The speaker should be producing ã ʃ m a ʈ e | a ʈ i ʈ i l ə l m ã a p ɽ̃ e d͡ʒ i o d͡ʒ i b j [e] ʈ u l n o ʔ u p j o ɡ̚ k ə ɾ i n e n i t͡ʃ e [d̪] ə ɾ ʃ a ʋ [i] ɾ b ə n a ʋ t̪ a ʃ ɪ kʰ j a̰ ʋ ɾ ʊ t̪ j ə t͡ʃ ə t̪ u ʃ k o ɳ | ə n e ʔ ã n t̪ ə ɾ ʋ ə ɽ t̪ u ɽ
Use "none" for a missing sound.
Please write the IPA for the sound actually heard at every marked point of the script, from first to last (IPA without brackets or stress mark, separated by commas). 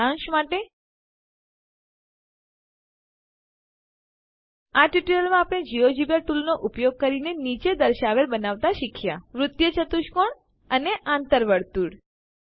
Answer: a, d̪, e